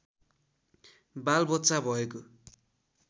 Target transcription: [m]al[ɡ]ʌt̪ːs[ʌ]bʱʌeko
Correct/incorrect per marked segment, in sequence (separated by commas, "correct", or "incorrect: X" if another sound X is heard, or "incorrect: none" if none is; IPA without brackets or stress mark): incorrect: b, incorrect: b, incorrect: a